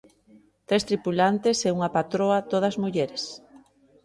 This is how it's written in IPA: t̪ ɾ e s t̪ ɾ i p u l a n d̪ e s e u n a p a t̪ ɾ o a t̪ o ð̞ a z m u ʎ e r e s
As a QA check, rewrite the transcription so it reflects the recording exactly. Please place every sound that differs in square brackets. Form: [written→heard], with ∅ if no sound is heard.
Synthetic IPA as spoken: t̪ ɾ e s t̪ ɾ i p u l a n [d̪→t̪] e s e u [n→ŋ] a p a t̪ ɾ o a t̪ o ð̞ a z m u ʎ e [r→ɾ] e s